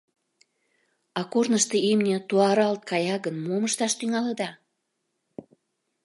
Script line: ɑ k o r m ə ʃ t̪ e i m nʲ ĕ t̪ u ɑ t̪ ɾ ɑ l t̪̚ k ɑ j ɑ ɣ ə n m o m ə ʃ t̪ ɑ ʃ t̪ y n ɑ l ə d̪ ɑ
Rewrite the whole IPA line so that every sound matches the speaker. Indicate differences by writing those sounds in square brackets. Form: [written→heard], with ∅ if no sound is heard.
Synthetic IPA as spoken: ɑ k o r [m→n] ə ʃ t̪ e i m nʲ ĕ t̪ u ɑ [t̪→∅] ɾ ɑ l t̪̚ k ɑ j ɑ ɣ ə n m o m ə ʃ t̪ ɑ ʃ t̪ y [n→ŋ] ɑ l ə d̪ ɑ